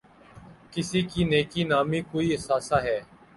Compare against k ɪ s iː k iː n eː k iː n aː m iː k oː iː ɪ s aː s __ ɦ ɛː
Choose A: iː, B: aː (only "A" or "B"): B